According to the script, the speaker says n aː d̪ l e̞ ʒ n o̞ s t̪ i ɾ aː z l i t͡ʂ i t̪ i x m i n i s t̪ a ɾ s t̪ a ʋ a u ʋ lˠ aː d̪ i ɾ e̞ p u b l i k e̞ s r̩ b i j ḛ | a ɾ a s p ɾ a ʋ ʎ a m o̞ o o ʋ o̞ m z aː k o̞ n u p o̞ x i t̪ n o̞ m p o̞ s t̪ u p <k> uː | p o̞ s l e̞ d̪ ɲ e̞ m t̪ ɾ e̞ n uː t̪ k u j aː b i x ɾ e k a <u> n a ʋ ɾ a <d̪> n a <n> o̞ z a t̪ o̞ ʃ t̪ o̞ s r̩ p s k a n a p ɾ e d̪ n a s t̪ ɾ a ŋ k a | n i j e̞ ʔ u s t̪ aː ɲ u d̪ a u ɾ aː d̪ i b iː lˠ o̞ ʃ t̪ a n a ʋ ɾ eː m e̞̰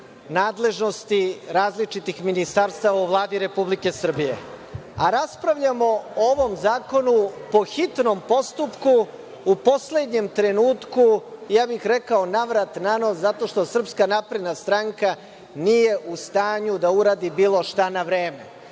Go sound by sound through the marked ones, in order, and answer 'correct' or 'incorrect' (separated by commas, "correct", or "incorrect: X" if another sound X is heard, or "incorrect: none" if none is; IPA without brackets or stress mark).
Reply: correct, incorrect: o, incorrect: t̪, correct